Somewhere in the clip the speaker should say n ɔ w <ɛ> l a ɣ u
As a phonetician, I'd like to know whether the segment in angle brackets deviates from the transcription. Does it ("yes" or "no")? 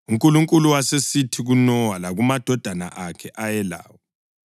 yes